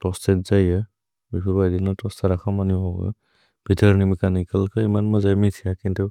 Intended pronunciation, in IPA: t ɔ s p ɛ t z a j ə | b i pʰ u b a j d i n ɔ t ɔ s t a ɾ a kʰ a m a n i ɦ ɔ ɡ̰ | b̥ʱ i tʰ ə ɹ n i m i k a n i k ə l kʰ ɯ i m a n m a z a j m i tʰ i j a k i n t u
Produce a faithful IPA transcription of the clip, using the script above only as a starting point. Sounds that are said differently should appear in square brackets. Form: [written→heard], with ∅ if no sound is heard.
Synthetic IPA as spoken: t ɔ s [p→t] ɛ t z a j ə | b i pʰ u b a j d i n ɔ t ɔ s t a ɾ a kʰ a m a n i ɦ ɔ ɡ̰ | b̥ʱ i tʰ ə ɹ n i m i k a n i k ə l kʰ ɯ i m a n m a z a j m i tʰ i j a k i n t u